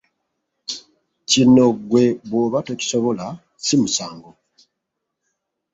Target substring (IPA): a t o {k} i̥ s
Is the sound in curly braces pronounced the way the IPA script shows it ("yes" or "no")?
no